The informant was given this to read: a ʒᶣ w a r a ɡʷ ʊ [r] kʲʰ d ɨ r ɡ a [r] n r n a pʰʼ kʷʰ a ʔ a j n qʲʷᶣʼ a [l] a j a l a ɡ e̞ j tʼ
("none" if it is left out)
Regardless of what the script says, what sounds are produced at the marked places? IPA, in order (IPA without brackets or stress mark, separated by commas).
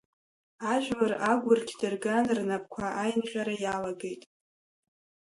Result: r, none, ɾ